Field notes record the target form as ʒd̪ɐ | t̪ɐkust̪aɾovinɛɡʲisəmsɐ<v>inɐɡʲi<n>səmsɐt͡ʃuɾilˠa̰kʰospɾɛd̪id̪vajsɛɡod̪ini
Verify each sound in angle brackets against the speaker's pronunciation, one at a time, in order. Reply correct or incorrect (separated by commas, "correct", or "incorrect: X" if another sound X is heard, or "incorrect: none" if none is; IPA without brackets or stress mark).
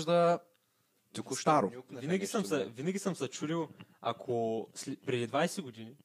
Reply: correct, incorrect: none